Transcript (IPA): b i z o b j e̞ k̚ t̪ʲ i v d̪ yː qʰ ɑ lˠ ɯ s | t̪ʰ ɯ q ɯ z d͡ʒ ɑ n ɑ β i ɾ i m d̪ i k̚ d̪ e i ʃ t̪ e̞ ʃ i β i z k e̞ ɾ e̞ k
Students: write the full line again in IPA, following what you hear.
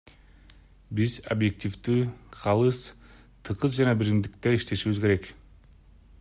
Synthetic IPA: b i z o b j e̞ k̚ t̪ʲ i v d̪ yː qʰ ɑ lˠ ɯ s | t̪ʰ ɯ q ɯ z d͡ʒ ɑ n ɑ b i ɾ i m d̪ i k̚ t̪ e i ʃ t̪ e̞ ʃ i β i z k e̞ ɾ e̞ k